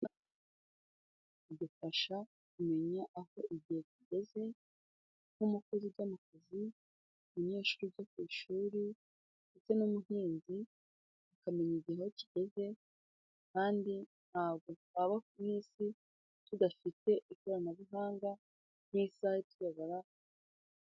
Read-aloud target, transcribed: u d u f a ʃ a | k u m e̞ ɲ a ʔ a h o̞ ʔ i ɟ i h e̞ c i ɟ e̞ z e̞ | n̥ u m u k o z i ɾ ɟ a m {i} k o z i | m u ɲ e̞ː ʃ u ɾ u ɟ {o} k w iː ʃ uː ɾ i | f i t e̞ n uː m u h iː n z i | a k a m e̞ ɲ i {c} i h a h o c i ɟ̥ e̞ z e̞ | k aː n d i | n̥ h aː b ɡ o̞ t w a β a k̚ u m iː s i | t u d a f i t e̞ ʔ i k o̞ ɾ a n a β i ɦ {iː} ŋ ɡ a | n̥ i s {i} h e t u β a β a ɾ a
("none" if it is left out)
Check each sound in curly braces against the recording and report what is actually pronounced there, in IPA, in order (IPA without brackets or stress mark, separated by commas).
a, o, ɟ, aː, a